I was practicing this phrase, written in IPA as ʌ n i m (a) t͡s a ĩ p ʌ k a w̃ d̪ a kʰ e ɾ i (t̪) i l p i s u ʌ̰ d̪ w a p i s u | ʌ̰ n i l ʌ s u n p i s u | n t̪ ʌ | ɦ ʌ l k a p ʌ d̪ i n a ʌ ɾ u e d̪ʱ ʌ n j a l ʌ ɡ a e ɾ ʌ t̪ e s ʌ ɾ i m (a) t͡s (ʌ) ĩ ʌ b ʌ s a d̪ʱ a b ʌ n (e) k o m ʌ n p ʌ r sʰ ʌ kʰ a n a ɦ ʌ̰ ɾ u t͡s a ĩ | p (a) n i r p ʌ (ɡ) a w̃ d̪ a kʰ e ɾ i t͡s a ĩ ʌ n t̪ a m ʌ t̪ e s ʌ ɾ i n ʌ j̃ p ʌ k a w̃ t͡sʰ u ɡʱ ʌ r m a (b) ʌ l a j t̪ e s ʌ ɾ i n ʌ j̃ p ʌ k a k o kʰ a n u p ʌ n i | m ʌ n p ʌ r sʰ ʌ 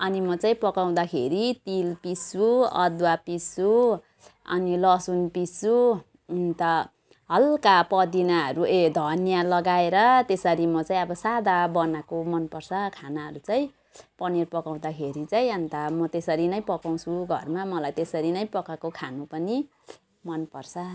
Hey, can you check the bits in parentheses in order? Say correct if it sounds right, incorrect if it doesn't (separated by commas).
incorrect, correct, incorrect, incorrect, incorrect, incorrect, incorrect, incorrect